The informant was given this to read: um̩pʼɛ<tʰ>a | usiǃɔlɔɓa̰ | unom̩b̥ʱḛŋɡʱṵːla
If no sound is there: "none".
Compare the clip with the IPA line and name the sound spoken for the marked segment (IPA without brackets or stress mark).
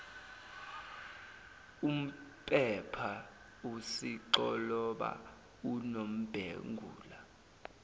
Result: pʰ